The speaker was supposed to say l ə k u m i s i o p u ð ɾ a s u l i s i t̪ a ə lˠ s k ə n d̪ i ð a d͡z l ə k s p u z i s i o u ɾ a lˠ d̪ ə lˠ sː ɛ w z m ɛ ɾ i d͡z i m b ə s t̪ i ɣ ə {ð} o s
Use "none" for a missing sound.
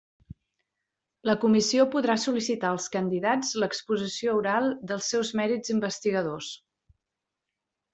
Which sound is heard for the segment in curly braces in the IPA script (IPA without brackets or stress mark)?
ð